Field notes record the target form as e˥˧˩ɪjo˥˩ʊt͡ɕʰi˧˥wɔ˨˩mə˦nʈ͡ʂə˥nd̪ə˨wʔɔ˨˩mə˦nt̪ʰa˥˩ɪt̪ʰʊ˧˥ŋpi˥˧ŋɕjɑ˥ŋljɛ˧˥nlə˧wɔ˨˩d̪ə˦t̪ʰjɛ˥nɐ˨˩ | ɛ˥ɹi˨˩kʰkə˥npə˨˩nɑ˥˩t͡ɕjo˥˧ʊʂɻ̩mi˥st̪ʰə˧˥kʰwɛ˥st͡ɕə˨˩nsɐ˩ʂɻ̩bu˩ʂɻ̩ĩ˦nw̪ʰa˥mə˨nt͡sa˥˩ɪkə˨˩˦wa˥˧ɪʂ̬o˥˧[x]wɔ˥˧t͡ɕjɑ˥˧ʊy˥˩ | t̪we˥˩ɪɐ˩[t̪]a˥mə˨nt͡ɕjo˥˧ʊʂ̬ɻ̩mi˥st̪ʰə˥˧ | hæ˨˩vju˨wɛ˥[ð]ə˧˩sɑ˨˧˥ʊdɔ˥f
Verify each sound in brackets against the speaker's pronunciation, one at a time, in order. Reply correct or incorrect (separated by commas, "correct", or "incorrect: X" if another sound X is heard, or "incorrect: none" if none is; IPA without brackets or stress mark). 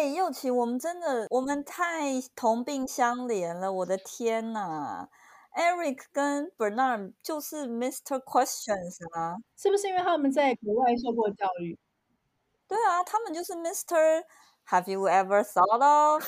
incorrect: k, incorrect: t̪ʰ, incorrect: v